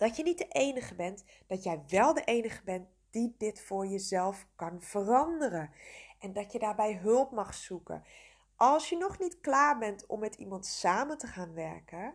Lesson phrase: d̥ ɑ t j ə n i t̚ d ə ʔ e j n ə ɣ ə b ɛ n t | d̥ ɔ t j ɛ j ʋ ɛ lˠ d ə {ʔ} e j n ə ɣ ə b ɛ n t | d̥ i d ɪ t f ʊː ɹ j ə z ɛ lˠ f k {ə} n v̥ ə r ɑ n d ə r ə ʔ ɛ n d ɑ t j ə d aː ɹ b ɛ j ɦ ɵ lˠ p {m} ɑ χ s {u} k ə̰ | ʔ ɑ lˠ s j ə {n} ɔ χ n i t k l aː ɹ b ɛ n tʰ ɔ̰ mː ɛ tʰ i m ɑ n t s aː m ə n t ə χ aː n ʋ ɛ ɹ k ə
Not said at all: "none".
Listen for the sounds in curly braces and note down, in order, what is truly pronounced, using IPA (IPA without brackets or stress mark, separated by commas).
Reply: ʔ, ɑ, m, u, n